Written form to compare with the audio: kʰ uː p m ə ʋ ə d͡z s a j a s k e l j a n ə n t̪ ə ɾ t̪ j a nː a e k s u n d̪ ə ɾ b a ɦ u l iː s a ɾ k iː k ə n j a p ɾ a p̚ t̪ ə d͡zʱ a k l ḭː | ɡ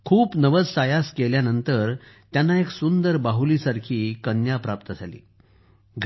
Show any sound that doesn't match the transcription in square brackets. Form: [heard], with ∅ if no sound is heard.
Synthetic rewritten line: kʰ uː p [n] ə ʋ ə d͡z s a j a s k e l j a n ə n t̪ ə ɾ t̪ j a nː a e k s u n d̪ ə ɾ b a ɦ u l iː s a ɾ [kʰ] iː k ə n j a p ɾ a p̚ t̪ ə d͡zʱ a [∅] l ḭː | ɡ